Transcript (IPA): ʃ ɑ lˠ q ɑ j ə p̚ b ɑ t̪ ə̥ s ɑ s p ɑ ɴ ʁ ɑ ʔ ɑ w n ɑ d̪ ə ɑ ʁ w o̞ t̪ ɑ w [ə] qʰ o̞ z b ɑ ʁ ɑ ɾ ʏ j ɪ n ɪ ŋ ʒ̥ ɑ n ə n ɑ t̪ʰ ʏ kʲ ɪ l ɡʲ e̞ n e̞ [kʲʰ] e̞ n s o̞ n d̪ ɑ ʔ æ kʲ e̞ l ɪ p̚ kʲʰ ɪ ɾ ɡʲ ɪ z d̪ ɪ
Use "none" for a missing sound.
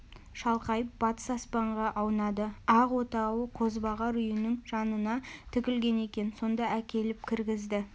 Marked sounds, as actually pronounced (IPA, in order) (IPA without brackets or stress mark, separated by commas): ə, kʲ